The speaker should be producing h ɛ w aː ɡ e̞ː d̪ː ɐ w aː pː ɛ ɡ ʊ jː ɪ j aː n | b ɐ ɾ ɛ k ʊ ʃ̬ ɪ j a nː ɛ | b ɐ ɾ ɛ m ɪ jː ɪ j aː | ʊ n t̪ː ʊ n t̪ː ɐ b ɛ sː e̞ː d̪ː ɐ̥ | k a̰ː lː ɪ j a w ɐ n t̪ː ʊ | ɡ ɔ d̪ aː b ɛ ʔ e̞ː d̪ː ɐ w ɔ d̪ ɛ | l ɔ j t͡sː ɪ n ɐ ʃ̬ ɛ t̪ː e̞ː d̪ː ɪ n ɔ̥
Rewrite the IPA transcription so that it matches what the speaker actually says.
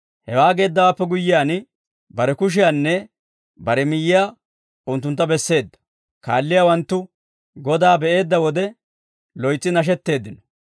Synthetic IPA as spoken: h ɛ w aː ɡ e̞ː d̪ː ɐ w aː pː ɛ ɡ ʊ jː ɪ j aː n | b ɐ ɾ ɛ k ʊ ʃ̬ ɪ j a nː ɛ | b ɐ ɾ ɛ m ɪ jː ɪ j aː | ʊ n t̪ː ʊ n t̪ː ɐ b ɛ sː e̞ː d̪ː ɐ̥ | k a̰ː lː ɪ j a w ɐ n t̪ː ʊ | ɡ ɔ d̪ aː b ɛ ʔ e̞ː d̪ː ɐ w ɔ d̪ ɛ | l ɔ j t͡sː ɪ n ɐ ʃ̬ ɛ t̪ː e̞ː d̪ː ɪ n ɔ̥

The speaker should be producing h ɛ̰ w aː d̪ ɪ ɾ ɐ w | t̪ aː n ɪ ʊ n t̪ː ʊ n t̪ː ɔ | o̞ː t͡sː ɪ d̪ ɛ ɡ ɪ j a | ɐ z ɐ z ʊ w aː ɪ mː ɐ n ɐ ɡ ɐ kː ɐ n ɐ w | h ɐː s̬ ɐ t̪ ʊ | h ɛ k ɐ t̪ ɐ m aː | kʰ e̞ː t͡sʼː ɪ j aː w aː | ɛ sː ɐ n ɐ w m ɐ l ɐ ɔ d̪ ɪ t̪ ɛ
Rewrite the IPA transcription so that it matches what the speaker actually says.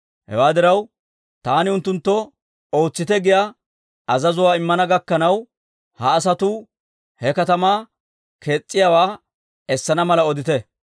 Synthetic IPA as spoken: h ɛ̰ w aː d̪ ɪ ɾ ɐ w | t̪ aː n ɪ ʊ n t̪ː ʊ n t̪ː ɔ | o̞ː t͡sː ɪ t̪ ɛ ɡ ɪ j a | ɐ z ɐ z ʊ w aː ɪ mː ɐ n ɐ ɡ ɐ kː ɐ n ɐ w | h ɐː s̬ ɐ t̪ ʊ | h ɛ k ɐ t̪ ɐ m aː | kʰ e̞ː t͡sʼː ɪ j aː w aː | ɛ sː ɐ n ɐ m ɐ l ɐ ɔ d̪ ɪ t̪ ɛ

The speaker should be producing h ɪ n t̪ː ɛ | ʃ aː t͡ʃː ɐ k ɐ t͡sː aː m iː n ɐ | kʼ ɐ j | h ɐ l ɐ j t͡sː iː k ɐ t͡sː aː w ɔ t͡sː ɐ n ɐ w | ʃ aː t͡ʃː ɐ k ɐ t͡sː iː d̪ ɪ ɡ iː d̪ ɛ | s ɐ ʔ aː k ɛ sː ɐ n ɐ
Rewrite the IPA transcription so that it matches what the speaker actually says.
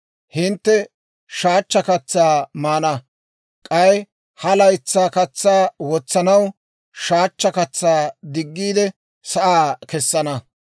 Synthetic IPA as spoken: h ɪ n t̪ː ɛ | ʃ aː t͡ʃː ɐ k ɐ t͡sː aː m aː n ɐ | kʼ ɐ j | h ɐ l ɐ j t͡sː aː k ɐ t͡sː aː w ɔ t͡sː ɐ n ɐ w | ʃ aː t͡ʃː ɐ k ɐ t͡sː aː d̪ ɪ ɡː iː d̪ ɛ | s ɐ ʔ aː k ɛ sː ɐ n ɐ

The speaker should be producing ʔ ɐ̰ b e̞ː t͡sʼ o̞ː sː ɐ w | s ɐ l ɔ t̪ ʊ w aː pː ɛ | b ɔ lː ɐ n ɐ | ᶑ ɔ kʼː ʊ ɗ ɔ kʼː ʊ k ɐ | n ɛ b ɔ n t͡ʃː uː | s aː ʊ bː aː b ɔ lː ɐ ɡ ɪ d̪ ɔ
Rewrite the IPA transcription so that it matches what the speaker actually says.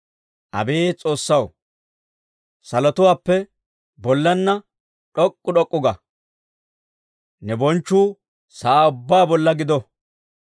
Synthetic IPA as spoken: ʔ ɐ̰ b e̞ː t͡sʼ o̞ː sː ɐ w | s ɐ l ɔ t̪ ʊ w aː pː ɛ | b ɔ lː ɐ nː ɐ | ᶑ ɔ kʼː ʊ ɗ ɔ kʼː ʊ ɡ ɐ | n ɛ b ɔ n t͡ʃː uː | s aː ʊ bː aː b ɔ lː ɐ ɡ ɪ d̪ ɔ

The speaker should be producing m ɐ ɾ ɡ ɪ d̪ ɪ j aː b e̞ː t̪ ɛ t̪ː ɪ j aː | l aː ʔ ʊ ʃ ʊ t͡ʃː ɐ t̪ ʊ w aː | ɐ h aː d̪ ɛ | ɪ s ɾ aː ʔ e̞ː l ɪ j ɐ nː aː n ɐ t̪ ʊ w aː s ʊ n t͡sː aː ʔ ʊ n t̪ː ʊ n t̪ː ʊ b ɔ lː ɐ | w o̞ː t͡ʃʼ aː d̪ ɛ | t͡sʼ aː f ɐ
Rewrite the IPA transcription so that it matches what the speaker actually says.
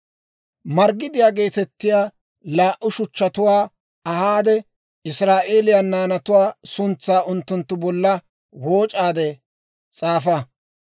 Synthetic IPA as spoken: m ɐ ɾ ɡ ɪ d̪ ɪ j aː ɡ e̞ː t̪ ɛ t̪ː ɪ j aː | l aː ʔ ʊ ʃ ʊ t͡ʃː ɐ t̪ ʊ w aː | ɐ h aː d̪ ɛ | ɪ s ɾ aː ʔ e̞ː l ɪ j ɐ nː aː n ɐ t̪ ʊ w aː s ʊ n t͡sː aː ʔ ʊ n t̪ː ʊ n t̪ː ʊ b ɔ lː ɐ | w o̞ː t͡ʃʼ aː d̪ ɛ | t͡sʼ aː f ɐ

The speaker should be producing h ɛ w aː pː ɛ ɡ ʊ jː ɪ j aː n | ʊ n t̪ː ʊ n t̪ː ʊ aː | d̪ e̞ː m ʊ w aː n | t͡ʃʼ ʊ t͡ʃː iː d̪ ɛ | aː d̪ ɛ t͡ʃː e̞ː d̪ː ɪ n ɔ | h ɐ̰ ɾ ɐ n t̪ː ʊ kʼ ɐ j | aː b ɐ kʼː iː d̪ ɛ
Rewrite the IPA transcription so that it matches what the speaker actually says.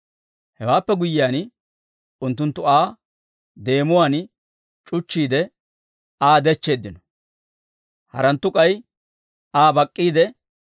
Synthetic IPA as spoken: h ɛ w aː pː ɛ ɡ ʊ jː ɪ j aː n | ʊ n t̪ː ʊ n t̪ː ʊ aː | d̪ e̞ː m ʊ w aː n | t͡ʃʼ ʊ t͡ʃː iː d̪ ɛ | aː d̪ ɛ t͡ʃː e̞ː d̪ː ɪ n ɔ | h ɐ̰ ɾ ɐ n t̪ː ʊ kʼ ɐ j | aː b ɐ kʼː iː d̪ ɛ

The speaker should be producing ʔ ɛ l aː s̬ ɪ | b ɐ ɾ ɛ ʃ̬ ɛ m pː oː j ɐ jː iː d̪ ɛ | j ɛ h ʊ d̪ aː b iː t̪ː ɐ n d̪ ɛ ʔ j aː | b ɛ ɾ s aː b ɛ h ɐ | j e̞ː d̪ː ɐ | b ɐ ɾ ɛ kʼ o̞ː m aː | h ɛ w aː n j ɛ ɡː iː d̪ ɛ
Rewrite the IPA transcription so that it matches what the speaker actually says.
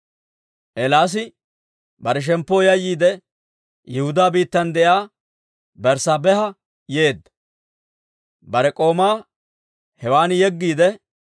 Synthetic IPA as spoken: ʔ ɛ l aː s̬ ɪ | b ɐ ɾ ɛ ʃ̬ ɛ m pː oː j ɐ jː iː d̪ ɛ | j ɛ h ʊ d̪ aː b iː t̪ː ɐ n d̪ ɛ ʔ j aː | b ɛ ɾ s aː b ɛ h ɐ | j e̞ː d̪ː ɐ | b ɐ ɾ ɛ kʼ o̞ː m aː | h ɛ w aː n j ɛ ɡː iː d̪ ɛ

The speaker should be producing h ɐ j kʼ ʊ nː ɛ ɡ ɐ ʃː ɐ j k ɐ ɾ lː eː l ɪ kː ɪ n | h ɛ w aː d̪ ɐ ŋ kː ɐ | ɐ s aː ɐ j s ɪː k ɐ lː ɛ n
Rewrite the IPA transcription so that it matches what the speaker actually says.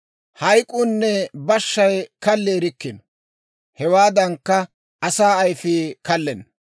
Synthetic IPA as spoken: h ɐ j kʼ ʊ nː ɛ b ɐ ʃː ɐ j k ɐ lː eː ɾ ɪ kː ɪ n | h ɛ w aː d̪ ɐ ŋ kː ɐ | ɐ s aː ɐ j f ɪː k ɐ lː ɛ n

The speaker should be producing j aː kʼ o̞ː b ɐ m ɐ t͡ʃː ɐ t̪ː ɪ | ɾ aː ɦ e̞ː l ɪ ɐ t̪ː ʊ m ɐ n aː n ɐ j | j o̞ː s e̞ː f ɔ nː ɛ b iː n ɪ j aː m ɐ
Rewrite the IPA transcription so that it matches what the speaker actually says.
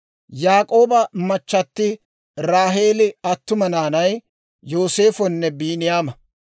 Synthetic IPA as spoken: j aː kʼ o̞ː b ɐ m ɐ t͡ʃː ɐ t̪ː ɪ | ɾ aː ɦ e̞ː l ɪ ɐ t̪ː ʊ m ɐ n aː n ɐ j | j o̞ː s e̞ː f ɔ nː ɛ b iː n ɪ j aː m ɐ

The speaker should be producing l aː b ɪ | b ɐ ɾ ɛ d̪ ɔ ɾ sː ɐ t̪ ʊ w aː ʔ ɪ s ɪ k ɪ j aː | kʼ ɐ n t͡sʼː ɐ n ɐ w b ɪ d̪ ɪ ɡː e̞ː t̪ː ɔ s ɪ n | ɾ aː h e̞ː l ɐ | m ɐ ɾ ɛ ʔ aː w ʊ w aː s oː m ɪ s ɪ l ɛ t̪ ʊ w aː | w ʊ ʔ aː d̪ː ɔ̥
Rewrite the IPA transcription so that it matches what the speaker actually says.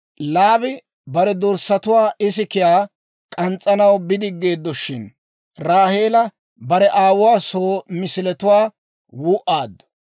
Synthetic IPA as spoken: l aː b ɪ | b ɐ ɾ ɛ d̪ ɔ ɾ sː ɐ t̪ ʊ w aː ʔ ɪ s ɪ k ɪ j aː | kʼ ɐ n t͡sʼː ɐ n ɐ w b ɪ d̪ ɪ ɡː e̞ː d̪ː ɔ ʃ ɪ n | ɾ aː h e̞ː l ɐ | b ɐ ɾ ɛ ʔ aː w ʊ w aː s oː m ɪ s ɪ l ɛ t̪ ʊ w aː | w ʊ ʔ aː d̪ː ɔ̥

